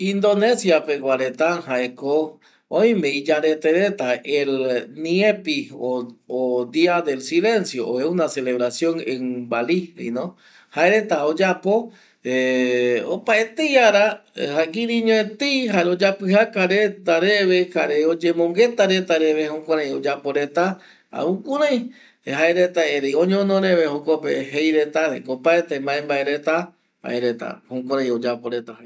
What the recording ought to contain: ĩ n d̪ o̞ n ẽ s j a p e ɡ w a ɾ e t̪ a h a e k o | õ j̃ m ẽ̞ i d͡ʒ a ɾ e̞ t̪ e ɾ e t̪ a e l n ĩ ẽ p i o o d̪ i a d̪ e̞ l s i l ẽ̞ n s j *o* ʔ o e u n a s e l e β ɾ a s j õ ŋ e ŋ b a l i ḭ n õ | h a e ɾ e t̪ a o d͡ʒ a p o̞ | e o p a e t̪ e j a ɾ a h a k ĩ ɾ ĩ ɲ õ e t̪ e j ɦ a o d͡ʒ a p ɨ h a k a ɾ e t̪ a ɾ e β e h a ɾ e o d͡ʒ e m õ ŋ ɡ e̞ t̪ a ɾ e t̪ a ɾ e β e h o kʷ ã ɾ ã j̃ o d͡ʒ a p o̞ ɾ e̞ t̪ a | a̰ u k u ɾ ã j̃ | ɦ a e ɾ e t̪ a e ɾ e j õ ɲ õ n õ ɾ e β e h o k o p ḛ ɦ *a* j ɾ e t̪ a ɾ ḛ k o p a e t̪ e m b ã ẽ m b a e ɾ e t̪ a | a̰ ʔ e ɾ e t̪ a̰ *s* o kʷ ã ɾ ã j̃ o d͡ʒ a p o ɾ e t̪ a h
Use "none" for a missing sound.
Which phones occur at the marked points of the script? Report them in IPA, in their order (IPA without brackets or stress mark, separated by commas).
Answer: o, e, h